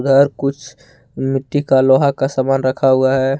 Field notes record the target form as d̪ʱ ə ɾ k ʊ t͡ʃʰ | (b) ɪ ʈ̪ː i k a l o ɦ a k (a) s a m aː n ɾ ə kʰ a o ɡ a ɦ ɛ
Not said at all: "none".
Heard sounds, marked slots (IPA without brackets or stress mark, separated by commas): m, a